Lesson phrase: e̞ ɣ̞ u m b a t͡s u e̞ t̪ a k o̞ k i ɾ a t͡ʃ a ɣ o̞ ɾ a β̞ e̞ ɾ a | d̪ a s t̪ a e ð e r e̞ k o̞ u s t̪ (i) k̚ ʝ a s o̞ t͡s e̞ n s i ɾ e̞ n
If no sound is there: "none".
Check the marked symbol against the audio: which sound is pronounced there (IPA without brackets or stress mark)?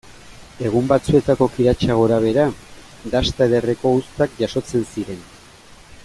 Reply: a